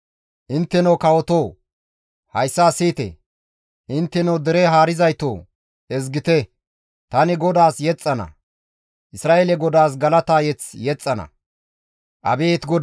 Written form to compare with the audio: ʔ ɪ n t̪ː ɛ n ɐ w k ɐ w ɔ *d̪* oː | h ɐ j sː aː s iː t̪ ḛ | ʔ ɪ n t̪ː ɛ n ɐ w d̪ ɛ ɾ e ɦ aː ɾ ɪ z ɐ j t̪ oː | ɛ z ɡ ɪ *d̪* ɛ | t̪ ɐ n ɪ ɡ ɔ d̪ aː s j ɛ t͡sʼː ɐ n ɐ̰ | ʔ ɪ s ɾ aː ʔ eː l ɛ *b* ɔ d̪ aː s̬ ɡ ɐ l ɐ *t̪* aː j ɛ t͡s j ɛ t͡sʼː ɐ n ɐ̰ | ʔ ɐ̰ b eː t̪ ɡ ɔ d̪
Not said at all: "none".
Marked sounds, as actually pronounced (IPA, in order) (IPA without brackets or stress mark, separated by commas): t̪, t̪, ɡ, t̪